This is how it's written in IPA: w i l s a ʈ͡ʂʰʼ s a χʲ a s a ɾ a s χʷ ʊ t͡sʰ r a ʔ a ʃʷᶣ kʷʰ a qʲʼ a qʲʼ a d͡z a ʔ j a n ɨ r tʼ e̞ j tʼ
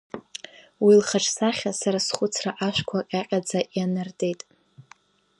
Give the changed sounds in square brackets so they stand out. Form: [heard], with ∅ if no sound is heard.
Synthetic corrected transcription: w i l [χ] a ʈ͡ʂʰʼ s a χʲ a s a ɾ a s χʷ ʊ t͡sʰ r a ʔ a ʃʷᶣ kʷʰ a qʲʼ a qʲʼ a d͡z a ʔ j a n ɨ r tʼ e̞ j tʼ